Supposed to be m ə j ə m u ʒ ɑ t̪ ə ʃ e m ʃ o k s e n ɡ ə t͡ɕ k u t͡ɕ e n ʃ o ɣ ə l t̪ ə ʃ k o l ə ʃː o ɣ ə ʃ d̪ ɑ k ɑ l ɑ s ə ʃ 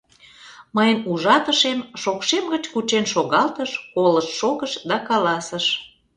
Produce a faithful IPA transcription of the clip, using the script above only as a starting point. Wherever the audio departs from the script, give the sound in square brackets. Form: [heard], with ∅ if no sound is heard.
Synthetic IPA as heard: m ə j ə [n] u ʒ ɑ t̪ ə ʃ e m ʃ o k [ʃ] e [m] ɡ ə t͡ɕ k u t͡ɕ e n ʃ o ɣ [ɑ] l t̪ ə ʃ k o l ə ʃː o ɣ ə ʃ d̪ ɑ k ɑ l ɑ s ə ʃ